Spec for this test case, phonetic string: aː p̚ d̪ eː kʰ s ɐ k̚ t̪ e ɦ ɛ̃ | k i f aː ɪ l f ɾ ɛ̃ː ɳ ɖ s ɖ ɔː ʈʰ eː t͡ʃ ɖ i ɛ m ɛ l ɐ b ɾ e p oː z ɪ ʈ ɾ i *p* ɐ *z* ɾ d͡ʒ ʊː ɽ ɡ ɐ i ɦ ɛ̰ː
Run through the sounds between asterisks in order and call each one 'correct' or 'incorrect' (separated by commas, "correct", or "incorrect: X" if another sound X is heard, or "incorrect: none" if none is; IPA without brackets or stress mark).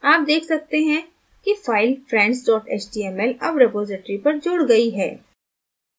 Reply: correct, incorrect: none